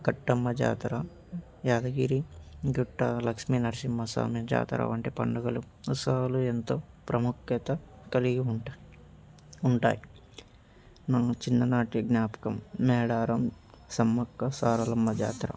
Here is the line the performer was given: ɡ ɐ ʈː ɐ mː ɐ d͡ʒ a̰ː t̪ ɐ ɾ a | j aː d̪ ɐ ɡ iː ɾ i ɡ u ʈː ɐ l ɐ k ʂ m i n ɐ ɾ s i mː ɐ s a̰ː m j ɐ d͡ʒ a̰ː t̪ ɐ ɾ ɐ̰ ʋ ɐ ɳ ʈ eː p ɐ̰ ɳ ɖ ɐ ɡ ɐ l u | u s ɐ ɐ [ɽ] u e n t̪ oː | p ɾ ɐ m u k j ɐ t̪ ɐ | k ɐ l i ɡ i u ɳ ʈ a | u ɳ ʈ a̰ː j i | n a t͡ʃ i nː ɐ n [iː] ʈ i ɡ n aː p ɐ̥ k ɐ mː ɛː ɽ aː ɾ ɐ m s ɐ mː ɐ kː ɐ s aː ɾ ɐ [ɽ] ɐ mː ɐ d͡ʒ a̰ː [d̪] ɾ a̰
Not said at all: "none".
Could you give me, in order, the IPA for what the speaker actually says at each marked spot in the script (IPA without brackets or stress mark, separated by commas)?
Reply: l, aː, l, t̪